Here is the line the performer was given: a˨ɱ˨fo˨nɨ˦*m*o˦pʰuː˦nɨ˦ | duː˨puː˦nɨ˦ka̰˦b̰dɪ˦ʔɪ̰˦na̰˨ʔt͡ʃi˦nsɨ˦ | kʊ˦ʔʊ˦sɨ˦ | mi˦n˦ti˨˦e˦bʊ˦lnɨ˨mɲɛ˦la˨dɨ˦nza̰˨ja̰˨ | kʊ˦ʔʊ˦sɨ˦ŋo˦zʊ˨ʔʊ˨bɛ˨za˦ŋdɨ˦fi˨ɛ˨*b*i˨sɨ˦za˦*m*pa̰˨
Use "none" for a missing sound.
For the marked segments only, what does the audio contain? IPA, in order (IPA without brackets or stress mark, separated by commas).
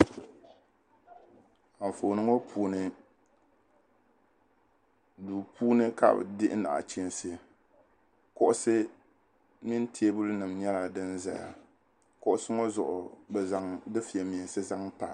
ŋ, m, ŋ